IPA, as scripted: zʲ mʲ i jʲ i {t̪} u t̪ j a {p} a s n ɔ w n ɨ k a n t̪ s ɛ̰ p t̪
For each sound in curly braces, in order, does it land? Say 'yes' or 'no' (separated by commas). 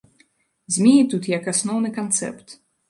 yes, no